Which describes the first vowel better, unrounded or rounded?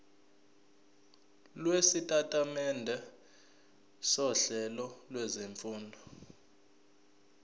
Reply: unrounded